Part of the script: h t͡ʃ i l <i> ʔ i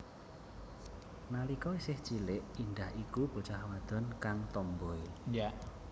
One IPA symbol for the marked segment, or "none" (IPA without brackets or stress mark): ɪ